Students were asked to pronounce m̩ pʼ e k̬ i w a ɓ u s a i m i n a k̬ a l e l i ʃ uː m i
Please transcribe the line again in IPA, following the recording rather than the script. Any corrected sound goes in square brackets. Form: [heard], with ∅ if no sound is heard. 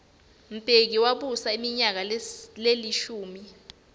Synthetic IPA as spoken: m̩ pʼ e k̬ i w a ɓ u s a i m i [ɲ] a k̬ a l e l i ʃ uː m i